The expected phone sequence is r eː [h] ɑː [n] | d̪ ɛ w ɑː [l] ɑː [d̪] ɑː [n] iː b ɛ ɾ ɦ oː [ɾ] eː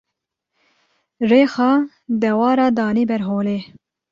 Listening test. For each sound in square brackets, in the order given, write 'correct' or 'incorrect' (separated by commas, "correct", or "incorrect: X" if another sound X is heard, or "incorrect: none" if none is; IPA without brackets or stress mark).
incorrect: x, incorrect: none, incorrect: ɾ, correct, correct, incorrect: l